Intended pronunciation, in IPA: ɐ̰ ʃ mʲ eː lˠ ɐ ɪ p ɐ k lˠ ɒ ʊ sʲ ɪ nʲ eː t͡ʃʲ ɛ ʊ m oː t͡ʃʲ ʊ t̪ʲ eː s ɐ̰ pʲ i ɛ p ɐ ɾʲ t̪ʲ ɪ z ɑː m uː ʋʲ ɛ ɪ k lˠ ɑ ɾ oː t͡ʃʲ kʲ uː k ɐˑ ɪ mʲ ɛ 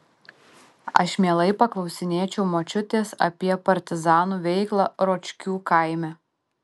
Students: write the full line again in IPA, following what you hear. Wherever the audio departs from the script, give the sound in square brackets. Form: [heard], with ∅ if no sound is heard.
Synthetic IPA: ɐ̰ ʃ mʲ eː lˠ ɐ ɪ p ɐ k lˠ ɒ ʊ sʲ ɪ nʲ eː t͡ʃʲ ɛ ʊ m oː t͡ʃʲ ʊ t̪ʲ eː s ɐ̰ pʲ i ɛ p ɐ ɾʲ t̪ʲ ɪ z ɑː [n] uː ʋʲ ɛ ɪ k lˠ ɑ ɾ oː t͡ʃʲ kʲ uː k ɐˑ ɪ mʲ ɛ

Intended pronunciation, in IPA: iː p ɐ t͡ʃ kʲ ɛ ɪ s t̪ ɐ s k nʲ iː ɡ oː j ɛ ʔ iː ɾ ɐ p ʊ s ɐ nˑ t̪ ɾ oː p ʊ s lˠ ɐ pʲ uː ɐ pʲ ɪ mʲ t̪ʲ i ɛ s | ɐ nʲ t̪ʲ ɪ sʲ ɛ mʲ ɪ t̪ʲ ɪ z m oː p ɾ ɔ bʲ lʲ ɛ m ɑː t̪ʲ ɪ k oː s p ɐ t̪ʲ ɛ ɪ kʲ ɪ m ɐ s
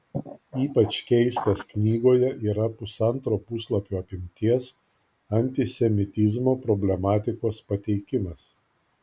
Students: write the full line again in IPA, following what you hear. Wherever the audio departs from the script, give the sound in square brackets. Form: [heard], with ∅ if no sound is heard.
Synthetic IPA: iː p ɐ t͡ʃ kʲ ɛ ɪ s t̪ ɐ s k nʲ iː ɡ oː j ɛ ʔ iː ɾ ɐ p ʊ s ɐ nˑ t̪ ɾ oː p ʊ s lˠ ɐ pʲ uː ɐ pʲ ɪ mʲ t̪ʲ i ɛ s | ɐ nʲ t̪ʲ ɪ sʲ ɛ mʲ ɪ t̪ʲ ɪ z m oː p ɾ ɔ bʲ lʲ ɛ m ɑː t̪ʲ ɪ k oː s p ɐ t̪ʲ ɛ ɪ kʲ ɪ m ɐ s

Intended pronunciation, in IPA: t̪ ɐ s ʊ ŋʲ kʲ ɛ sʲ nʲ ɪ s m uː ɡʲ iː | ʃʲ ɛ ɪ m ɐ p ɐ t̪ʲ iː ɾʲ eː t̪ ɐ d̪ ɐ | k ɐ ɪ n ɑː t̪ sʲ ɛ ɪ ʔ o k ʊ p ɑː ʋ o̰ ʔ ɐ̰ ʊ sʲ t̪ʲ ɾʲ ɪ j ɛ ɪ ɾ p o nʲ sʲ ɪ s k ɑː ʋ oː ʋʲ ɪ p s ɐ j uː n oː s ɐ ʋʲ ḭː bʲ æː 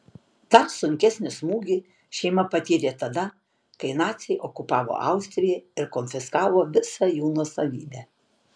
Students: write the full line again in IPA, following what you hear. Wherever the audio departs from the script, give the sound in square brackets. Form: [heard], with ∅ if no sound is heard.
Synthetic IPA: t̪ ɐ s ʊ ŋʲ kʲ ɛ sʲ nʲ ɪ s m uː ɡʲ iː | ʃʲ ɛ ɪ m ɐ p ɐ t̪ʲ iː ɾʲ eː t̪ ɐ d̪ ɐ | k ɐ ɪ n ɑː t̪ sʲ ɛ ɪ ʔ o k ʊ p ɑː ʋ o̰ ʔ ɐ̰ ʊ sʲ t̪ʲ ɾʲ ɪ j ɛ ɪ ɾ [k] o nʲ [fʲ] ɪ s k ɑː ʋ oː ʋʲ ɪ [∅] s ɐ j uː n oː s ɐ ʋʲ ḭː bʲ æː

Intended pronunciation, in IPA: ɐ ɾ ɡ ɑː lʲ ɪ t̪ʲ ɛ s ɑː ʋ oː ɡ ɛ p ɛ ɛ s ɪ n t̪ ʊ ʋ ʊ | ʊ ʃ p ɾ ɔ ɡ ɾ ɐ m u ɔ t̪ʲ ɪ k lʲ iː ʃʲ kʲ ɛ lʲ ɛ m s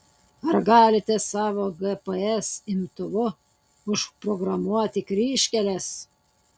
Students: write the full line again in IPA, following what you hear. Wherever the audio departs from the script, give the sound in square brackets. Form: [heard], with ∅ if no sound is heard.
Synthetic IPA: ɐ ɾ ɡ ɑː lʲ ɪ t̪ʲ ɛ s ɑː ʋ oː ɡ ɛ p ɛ ɛ s ɪ [m] t̪ ʊ ʋ ʊ | ʊ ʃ p ɾ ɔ ɡ ɾ ɐ m u ɔ t̪ʲ ɪ k [ɾʲ] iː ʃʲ kʲ ɛ lʲ ɛ [∅] s

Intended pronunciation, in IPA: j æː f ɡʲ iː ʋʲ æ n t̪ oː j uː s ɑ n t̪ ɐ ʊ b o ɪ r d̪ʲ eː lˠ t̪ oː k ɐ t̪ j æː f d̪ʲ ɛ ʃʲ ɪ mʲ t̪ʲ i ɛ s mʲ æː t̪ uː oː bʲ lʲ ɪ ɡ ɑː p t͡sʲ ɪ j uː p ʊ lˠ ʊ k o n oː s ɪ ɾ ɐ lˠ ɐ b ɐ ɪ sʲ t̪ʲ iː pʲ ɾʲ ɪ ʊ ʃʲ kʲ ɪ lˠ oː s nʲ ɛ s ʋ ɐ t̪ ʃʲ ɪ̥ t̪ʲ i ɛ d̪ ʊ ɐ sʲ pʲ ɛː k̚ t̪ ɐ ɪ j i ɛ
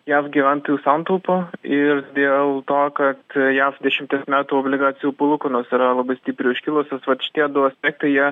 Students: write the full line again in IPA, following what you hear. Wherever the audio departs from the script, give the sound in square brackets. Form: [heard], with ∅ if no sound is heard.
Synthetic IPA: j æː f ɡʲ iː ʋʲ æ n t̪ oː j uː s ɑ n t̪ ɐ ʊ [p] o ɪ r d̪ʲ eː lˠ t̪ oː k ɐ t̪ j æː f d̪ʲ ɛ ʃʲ ɪ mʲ t̪ʲ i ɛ s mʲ æː t̪ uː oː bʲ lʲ ɪ ɡ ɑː [∅] t͡sʲ ɪ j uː p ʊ lˠ ʊ k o n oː s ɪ ɾ ɐ lˠ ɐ b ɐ ɪ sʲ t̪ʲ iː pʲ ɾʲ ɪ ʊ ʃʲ kʲ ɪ lˠ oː s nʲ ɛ s ʋ ɐ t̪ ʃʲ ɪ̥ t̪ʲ i ɛ d̪ ʊ ɐ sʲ pʲ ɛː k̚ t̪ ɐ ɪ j i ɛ

